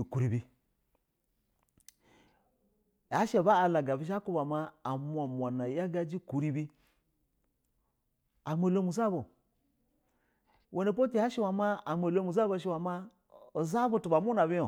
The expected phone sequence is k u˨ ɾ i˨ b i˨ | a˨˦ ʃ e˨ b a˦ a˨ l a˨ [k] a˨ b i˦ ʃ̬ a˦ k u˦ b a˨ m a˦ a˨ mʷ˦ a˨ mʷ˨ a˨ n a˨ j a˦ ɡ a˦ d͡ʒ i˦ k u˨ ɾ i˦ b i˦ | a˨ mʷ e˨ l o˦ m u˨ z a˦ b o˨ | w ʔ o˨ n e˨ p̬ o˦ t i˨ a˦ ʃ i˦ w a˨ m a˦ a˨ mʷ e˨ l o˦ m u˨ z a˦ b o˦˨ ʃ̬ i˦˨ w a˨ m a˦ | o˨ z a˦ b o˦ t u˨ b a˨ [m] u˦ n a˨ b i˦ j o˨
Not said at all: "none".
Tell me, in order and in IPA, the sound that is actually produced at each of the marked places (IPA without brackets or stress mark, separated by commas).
ɡ, m